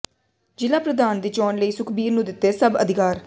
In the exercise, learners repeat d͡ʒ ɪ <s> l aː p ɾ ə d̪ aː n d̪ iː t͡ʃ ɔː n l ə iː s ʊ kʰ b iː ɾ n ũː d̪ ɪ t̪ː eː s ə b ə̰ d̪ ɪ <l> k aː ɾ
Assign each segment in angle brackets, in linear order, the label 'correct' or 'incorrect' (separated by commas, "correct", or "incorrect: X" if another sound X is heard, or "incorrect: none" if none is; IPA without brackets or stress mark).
incorrect: none, incorrect: none